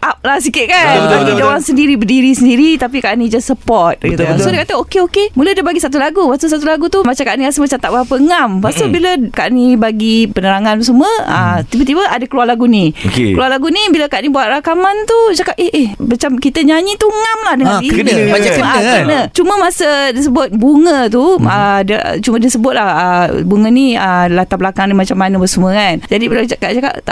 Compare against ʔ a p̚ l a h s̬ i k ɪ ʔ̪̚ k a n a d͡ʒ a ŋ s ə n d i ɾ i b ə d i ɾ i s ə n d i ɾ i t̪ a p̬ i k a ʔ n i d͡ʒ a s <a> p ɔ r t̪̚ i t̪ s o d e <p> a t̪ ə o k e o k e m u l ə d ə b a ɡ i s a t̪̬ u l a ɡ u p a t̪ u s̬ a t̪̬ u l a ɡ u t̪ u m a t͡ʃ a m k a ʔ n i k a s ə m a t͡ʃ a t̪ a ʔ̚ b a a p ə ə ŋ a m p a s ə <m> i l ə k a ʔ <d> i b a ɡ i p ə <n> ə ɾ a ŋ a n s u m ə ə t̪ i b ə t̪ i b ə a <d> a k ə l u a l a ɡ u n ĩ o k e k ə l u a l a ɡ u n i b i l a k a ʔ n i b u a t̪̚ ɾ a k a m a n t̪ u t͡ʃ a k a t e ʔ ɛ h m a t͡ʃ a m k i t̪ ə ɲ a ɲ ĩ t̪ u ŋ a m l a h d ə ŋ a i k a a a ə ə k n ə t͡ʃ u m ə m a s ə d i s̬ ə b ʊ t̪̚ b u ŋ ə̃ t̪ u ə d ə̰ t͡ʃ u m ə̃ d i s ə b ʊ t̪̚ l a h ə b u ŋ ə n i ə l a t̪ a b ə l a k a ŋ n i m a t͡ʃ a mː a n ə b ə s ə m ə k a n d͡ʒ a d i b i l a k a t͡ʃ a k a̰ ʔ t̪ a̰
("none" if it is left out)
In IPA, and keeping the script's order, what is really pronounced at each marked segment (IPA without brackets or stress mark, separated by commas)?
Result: ə, k, b, n, n, d